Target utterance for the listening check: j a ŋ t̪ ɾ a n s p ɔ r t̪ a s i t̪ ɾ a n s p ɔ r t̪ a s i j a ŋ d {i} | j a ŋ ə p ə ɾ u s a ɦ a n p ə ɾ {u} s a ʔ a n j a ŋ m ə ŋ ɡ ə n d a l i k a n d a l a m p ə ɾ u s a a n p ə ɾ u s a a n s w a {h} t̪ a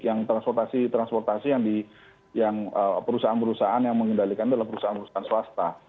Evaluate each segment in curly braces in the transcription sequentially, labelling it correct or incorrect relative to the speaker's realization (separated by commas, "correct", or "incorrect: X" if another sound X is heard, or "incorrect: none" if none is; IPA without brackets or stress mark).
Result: correct, correct, incorrect: s